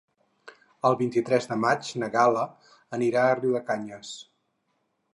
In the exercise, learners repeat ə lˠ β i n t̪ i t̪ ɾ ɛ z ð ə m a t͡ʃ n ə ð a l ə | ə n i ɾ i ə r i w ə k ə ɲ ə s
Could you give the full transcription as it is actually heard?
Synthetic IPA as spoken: ə lˠ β i n t̪ i t̪ ɾ ɛ z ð ə m a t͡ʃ n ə ɣ a l ə | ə n i ɾ a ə r i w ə k a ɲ ə s

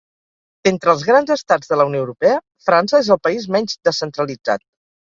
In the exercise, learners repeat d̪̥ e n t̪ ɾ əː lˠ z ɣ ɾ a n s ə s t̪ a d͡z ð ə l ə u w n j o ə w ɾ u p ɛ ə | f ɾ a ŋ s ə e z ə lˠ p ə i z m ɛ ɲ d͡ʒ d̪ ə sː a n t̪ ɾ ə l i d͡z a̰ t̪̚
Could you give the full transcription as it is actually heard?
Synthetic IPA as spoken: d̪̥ e n t̪ ɾ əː lˠ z ɣ ɾ a n z ə s t̪ a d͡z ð ə l ə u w n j o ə w ɾ u p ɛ ə | f ɾ a n s ə e z ə lˠ p ə i z m ɛ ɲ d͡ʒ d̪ ə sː ə n t̪ ɾ ə l i d͡z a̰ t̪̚

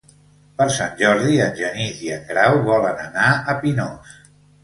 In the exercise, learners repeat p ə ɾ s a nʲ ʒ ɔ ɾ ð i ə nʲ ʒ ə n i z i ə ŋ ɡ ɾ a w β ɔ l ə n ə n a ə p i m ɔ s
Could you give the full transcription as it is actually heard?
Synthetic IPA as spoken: p ə ɾ s a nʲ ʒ ɔ ɾ ð i ə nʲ ʒ ə n i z i ə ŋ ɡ ɾ a w β ɔ l ə n ə n a ə p i n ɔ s

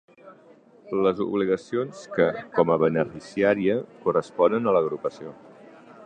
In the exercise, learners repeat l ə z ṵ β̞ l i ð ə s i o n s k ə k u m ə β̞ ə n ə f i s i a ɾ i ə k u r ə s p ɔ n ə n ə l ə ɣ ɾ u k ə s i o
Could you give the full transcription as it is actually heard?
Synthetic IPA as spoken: l ə z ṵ β̞ l i ɣ ə s i o n s k ə k ɔ m ə β̞ ə n ə f i s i a ɾ i ə k u r ə s p ɔ n ə n ə l ə ɣ ɾ u p ə s i o

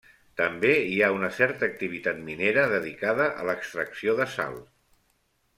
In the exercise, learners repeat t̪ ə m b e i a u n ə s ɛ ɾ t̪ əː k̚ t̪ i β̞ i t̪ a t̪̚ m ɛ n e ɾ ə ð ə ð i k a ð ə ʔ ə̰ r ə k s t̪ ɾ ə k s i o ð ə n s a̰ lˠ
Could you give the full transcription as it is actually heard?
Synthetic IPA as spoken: t̪ ə m b e i a u n ə s ɛ ɾ t̪ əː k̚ t̪ i β̞ i t̪ a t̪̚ m i n e ɾ ə ð ə ð i k a ð ə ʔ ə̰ l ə k s t̪ ɾ ə k s i o ð ə s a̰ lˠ

